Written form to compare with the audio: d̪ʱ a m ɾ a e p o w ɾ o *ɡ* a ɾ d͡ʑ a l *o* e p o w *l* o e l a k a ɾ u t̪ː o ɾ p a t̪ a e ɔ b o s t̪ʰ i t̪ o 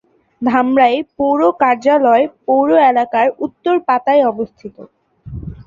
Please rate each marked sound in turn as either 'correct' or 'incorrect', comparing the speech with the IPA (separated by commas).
incorrect, incorrect, incorrect